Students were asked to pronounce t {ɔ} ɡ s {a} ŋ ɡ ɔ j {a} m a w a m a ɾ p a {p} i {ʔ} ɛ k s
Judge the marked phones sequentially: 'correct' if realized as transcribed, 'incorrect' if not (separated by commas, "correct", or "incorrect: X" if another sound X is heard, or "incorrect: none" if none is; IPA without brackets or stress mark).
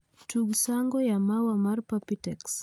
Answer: incorrect: u, correct, correct, correct, incorrect: t